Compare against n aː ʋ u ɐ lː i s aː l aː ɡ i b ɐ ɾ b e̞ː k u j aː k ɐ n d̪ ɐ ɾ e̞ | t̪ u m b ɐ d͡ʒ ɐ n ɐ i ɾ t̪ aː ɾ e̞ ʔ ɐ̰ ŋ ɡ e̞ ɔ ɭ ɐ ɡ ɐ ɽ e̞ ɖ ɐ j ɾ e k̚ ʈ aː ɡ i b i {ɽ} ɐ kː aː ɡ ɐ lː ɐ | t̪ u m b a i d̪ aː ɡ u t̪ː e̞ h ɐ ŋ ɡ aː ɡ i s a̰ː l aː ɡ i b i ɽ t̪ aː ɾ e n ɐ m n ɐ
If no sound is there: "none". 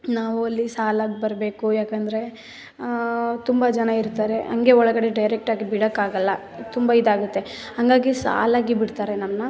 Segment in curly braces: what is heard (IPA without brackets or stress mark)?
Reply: ɽ